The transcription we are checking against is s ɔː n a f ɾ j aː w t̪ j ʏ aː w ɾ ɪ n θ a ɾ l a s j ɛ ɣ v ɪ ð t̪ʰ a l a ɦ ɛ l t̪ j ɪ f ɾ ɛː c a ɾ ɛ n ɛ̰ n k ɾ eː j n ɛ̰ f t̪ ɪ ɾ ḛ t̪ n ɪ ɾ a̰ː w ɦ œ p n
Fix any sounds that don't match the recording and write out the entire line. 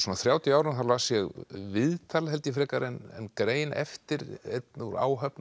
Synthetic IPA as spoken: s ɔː n a θ ɾ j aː w t̪ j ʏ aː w ɾ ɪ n θ a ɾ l a s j ɛ ɣ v ɪ ð t̪ʰ a l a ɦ ɛ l t̪ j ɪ f ɾ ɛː k a ɾ ɛ n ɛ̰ n k ɾ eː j n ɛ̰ f t̪ ɪ ɾ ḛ t̪ n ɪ ɾ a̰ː w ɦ œ p n